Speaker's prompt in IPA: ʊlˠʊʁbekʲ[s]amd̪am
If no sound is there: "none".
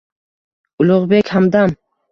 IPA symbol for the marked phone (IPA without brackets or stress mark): h